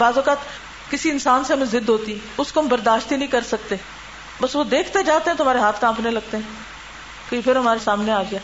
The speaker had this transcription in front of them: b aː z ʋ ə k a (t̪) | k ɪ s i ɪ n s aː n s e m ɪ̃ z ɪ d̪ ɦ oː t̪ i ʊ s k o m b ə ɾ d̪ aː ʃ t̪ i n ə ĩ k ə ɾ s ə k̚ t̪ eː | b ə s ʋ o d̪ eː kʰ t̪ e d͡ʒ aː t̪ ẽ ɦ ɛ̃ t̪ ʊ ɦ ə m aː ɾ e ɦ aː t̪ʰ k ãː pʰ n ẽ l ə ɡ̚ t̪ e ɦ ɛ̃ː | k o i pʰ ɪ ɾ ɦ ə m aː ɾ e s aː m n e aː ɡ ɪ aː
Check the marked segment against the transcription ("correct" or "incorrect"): correct